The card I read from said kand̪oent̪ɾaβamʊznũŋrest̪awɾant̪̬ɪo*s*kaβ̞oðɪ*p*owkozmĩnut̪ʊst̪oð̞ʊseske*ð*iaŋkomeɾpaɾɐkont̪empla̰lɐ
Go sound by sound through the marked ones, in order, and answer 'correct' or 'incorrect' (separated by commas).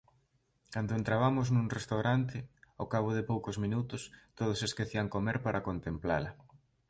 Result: incorrect, correct, incorrect